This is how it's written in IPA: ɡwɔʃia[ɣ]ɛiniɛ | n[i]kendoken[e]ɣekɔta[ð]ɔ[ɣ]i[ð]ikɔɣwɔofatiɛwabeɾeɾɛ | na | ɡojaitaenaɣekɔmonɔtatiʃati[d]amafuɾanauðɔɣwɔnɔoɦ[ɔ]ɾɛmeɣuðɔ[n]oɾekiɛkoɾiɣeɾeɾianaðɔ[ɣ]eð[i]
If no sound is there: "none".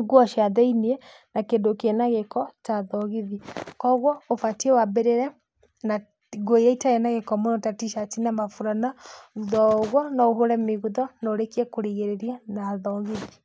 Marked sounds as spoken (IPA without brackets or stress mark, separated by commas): ð, a, a, ð, ɣ, ð, n, o, n, ɣ, i